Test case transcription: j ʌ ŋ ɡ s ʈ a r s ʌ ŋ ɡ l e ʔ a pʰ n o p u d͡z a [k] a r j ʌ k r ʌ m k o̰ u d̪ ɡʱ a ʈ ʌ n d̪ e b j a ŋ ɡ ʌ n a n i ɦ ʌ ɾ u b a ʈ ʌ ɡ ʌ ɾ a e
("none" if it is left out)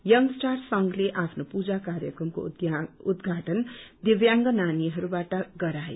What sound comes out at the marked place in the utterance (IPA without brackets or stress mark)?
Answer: k